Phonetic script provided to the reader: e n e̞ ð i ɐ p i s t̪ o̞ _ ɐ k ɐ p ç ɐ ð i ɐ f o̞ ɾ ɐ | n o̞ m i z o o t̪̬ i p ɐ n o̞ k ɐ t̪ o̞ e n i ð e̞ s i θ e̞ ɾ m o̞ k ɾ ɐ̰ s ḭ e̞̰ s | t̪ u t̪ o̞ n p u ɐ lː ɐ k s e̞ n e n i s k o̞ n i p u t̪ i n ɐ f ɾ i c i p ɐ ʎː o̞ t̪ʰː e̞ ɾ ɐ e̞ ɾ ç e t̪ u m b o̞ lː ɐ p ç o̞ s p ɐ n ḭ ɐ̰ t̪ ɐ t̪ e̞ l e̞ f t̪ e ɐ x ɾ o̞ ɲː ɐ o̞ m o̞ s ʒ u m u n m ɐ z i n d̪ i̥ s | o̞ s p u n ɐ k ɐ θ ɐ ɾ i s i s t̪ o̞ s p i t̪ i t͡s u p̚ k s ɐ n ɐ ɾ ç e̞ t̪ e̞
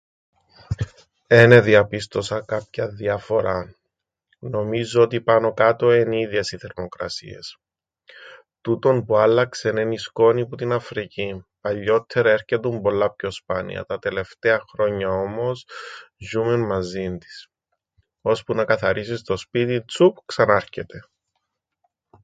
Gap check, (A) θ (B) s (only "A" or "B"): B